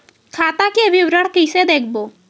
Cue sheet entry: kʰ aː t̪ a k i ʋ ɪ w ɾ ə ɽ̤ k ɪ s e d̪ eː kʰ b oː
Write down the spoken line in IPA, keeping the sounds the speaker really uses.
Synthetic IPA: kʰ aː t̪ a k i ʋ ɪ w ɾ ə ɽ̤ k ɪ s e d̪ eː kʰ b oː